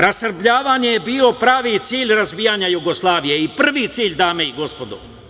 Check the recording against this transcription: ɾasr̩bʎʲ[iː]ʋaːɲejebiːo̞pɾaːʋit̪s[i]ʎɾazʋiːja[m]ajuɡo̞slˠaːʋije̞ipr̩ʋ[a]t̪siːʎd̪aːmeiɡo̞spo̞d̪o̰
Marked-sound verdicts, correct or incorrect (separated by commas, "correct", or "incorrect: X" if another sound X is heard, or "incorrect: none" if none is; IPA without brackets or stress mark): incorrect: aː, incorrect: iː, incorrect: ɲ, incorrect: i